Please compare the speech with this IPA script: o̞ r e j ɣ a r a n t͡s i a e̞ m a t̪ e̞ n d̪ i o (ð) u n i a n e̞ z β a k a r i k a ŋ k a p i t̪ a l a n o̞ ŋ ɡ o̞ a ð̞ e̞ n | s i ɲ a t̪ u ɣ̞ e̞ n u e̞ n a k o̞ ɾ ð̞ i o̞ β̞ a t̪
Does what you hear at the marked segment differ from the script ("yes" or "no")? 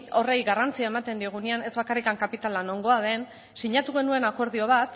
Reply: yes